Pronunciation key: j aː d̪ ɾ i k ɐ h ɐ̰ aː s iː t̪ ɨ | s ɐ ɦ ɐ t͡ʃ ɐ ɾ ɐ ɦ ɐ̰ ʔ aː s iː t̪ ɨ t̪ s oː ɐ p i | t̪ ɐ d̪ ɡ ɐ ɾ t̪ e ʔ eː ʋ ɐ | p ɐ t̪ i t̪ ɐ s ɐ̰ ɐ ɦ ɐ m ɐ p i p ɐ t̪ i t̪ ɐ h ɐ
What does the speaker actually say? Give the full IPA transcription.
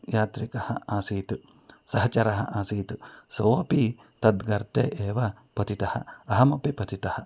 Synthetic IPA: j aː t̪ ɾ i k ɐ h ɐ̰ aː s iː t̪ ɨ | s ɐ ɦ ɐ t͡ʃ ɐ ɾ ɐ ɦ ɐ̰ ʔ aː s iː t̪ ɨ s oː ɐ p i | t̪ ɐ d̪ ɡ ɐ ɾ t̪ e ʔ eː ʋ ɐ | p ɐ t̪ i t̪ ɐ h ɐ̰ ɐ ɦ ɐ m ɐ p i p ɐ t̪ i t̪ ɐ h ɐ